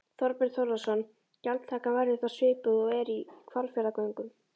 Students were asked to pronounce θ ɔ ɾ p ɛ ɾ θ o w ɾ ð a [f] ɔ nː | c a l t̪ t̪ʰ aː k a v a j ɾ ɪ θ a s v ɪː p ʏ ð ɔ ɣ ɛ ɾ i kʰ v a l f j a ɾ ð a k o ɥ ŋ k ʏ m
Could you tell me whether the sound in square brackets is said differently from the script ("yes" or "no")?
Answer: yes